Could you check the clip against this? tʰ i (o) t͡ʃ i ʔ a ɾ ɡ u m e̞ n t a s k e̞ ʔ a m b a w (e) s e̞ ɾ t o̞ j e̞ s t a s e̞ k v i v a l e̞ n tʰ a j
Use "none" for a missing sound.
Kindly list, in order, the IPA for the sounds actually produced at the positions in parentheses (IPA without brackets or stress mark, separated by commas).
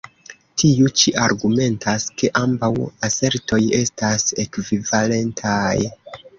u, a